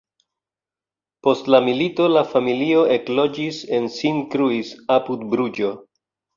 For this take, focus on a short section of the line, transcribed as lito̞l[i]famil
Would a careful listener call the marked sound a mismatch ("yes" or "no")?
yes